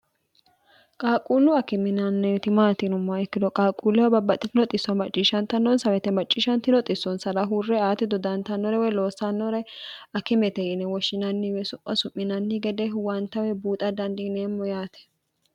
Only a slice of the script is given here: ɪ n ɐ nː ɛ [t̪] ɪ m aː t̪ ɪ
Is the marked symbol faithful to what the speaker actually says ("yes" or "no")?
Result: yes